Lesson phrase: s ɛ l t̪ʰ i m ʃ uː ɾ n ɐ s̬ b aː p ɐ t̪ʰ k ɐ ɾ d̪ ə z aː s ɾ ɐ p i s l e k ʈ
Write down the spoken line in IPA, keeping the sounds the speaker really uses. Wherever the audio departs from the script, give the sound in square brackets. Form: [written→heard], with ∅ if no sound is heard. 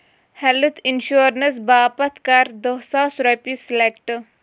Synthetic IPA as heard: [s→h] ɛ l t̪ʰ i [m→n] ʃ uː ɾ n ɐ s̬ b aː p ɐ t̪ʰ k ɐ ɾ d̪ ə [z→s] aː s ɾ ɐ p i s l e k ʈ